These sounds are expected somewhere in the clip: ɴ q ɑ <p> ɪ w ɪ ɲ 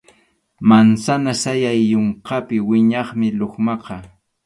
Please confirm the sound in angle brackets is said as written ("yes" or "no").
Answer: yes